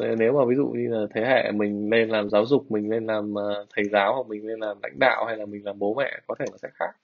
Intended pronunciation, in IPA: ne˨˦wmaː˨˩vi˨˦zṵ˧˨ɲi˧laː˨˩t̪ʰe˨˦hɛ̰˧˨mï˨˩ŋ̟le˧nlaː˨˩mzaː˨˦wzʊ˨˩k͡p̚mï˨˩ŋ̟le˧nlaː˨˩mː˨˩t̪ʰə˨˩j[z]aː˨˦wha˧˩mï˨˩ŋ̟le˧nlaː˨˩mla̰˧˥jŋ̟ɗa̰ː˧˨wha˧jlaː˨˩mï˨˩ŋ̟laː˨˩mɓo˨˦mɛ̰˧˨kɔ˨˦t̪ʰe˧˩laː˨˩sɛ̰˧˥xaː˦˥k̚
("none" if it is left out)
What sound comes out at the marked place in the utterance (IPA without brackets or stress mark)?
z